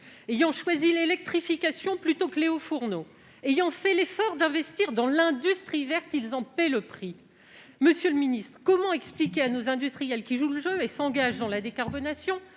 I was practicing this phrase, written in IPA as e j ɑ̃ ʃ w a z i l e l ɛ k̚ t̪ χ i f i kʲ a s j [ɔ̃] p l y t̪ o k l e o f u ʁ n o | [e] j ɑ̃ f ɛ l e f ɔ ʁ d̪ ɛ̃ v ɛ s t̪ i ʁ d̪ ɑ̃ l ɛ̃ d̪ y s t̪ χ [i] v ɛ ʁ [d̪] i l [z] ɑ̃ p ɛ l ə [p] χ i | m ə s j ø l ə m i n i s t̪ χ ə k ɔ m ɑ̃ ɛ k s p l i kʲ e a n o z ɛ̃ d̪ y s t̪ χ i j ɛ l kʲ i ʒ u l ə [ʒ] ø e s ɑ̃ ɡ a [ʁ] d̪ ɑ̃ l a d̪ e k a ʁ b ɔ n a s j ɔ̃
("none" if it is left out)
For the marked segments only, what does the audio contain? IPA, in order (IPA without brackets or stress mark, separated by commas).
ɔ̃, e, i, t̪, z, p, ʒ, ʒ